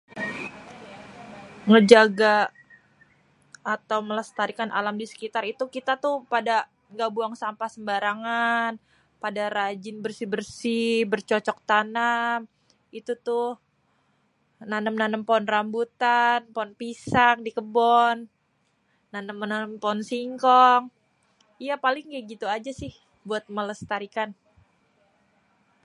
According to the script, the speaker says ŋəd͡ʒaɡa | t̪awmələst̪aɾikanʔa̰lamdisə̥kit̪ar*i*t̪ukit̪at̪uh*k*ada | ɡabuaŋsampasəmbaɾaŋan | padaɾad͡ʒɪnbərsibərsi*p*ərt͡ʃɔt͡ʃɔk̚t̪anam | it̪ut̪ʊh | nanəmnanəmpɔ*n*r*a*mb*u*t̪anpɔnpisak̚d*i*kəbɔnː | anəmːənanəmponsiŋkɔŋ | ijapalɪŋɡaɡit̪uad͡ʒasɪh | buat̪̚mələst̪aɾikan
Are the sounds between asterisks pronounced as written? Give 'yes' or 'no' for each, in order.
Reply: yes, no, no, yes, yes, yes, yes

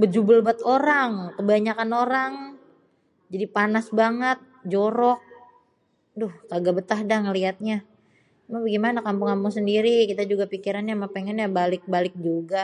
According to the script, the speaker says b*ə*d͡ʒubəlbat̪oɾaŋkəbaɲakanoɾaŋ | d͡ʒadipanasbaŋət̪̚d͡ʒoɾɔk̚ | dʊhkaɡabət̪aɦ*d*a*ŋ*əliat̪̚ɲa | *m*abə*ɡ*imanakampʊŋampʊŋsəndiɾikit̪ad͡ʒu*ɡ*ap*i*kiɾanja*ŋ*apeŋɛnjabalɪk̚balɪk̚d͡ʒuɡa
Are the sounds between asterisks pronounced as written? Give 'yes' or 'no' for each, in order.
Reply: yes, yes, yes, yes, yes, yes, yes, no

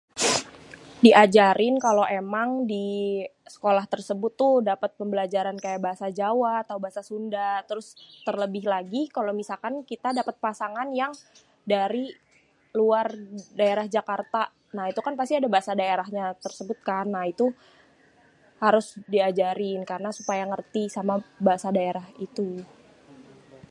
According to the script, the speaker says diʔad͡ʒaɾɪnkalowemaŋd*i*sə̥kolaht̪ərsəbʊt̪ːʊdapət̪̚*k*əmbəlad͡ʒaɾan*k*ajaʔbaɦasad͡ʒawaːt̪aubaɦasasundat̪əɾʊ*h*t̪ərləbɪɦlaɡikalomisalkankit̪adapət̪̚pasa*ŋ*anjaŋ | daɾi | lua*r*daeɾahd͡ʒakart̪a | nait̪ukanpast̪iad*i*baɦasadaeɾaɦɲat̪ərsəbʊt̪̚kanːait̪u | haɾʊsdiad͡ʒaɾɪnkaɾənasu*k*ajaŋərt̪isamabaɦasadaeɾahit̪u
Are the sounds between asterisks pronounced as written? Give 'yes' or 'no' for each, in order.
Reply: yes, no, yes, no, yes, yes, no, no

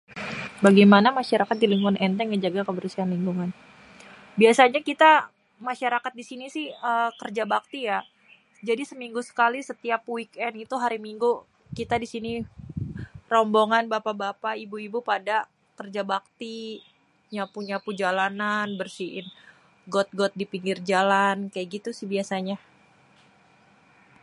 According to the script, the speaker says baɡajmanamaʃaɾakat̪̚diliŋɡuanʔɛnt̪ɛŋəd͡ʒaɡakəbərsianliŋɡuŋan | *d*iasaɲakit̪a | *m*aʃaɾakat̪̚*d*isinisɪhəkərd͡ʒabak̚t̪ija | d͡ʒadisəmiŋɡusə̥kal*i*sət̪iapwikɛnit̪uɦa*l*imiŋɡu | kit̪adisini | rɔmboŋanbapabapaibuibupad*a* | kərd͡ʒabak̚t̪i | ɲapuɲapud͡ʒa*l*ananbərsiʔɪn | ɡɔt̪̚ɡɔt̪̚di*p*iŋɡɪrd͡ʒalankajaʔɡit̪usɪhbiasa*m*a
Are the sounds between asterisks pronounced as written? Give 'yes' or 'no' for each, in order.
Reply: no, yes, yes, yes, no, yes, yes, yes, no

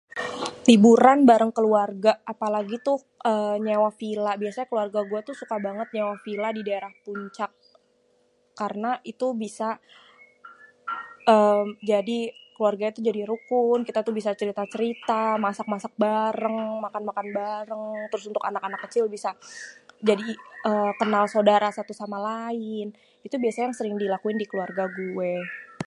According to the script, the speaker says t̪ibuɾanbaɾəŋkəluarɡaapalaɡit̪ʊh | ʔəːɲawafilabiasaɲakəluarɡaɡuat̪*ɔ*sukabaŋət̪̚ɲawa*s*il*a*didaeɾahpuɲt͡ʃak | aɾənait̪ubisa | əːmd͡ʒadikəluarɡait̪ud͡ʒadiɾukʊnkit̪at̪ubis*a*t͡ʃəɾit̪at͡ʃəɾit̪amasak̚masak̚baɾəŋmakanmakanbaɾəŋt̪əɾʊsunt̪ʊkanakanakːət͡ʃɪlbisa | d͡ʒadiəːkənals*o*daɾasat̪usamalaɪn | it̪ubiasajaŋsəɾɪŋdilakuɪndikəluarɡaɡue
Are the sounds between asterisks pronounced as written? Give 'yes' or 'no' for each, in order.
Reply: no, no, yes, yes, yes

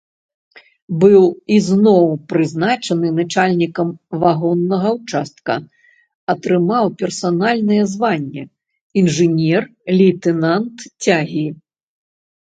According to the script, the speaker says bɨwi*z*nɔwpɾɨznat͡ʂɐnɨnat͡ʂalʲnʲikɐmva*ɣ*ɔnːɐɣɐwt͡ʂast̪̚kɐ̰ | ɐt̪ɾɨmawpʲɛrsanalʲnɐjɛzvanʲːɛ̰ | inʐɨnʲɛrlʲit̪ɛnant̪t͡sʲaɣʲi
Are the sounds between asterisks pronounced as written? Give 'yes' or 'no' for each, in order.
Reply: yes, yes

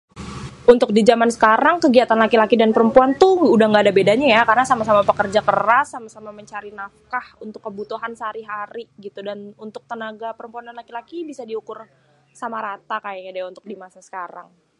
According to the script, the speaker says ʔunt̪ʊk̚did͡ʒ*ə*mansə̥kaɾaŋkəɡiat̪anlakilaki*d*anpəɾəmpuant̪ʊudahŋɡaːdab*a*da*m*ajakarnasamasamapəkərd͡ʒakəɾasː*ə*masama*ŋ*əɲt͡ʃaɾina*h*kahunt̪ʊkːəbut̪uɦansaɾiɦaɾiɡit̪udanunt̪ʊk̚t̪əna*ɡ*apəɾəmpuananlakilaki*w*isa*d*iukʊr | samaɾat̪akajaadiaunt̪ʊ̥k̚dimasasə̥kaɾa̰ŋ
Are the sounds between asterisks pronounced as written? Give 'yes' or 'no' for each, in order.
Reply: no, yes, no, no, no, no, no, yes, no, yes

